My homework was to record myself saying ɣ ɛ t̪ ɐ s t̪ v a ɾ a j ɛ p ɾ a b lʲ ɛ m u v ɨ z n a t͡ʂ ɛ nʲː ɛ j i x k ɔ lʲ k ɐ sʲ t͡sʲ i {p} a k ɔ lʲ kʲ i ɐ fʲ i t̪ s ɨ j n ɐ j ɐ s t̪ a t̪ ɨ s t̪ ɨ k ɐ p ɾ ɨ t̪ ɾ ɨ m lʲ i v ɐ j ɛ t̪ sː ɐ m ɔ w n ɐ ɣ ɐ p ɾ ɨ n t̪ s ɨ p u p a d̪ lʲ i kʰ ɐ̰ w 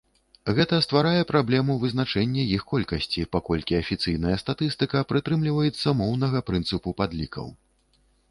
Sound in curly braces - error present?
no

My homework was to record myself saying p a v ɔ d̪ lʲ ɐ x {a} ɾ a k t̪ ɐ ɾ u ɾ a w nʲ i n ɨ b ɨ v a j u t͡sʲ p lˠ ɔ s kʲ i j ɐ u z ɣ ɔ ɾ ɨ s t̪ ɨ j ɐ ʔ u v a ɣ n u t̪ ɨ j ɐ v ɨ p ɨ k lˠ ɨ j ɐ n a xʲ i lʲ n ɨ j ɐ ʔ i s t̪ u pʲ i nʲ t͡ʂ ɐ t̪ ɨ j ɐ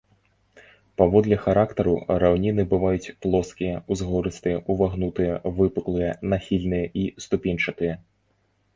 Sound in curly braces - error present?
no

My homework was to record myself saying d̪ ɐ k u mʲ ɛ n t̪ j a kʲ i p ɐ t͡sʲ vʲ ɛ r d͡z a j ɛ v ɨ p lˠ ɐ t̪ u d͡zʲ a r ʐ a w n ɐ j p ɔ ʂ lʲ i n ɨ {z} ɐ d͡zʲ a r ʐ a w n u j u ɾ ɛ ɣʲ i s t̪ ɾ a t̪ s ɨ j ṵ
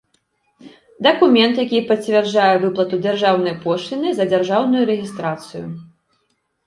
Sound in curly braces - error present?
no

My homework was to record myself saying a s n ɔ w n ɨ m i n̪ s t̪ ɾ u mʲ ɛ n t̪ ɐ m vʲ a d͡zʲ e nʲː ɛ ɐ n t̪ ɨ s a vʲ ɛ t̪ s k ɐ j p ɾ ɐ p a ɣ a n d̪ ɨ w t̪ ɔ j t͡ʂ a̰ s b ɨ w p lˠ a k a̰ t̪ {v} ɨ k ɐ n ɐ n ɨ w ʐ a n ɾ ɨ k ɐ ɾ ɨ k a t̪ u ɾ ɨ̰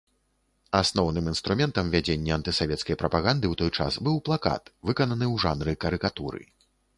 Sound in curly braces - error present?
no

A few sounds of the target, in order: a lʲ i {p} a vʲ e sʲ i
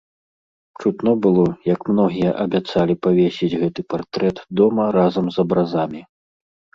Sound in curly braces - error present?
no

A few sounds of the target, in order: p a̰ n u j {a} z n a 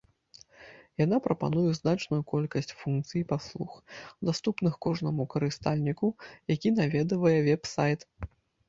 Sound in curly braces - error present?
yes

